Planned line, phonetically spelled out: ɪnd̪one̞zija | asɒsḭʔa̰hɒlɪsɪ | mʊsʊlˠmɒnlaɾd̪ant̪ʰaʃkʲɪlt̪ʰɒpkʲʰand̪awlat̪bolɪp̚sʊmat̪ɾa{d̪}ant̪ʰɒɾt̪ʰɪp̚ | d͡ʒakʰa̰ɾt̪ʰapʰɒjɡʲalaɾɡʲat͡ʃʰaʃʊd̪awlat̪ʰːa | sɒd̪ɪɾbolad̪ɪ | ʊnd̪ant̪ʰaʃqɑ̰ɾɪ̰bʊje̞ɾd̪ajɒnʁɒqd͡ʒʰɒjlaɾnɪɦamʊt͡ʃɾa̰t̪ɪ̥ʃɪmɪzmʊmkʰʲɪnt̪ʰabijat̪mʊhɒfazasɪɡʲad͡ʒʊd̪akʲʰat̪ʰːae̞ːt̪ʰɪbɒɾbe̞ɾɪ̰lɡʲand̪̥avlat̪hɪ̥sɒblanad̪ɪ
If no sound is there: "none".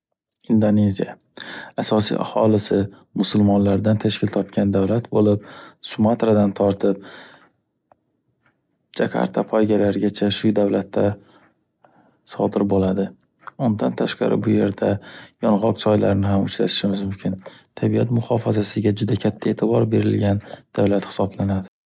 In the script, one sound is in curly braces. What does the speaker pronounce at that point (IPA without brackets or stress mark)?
d̪